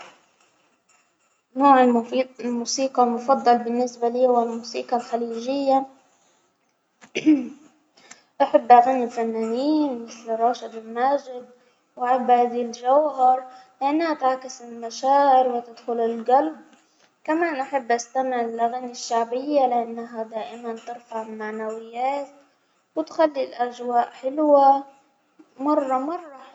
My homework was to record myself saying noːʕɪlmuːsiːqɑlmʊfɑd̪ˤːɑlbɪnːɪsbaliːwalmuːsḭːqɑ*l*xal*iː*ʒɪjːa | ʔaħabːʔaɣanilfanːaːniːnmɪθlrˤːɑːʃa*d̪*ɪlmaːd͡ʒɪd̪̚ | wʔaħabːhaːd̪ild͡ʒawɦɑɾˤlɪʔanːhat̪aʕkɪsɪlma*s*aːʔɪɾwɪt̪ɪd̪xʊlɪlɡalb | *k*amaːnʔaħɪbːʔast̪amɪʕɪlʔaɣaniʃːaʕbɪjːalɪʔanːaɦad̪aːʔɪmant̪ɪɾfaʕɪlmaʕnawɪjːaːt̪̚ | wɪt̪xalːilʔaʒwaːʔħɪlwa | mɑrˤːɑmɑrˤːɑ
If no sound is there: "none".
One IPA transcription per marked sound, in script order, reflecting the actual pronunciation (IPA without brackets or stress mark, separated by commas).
l, iː, d̪, ʃ, k